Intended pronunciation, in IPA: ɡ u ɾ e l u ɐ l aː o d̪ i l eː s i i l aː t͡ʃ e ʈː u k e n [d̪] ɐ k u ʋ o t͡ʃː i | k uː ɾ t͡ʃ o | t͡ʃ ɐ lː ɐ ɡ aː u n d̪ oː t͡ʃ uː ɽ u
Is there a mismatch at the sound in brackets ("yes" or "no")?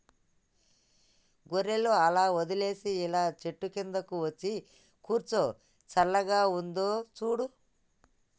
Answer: no